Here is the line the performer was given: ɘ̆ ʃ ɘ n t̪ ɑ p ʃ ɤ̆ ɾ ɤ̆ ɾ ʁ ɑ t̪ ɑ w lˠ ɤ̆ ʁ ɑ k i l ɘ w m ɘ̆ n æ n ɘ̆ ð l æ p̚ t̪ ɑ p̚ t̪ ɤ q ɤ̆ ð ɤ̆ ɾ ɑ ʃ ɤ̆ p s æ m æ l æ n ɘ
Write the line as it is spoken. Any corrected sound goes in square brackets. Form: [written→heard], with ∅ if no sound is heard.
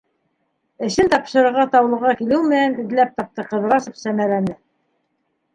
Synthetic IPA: ɘ̆ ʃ ɘ n t̪ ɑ p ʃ ɤ̆ ɾ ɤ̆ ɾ ʁ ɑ t̪ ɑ w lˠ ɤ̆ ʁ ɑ k i l ɘ w m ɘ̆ n æ n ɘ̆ ð l æ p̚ t̪ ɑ p̚ t̪ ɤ q ɤ̆ ð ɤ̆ ɾ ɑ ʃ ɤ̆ p s æ m æ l æ n ɘ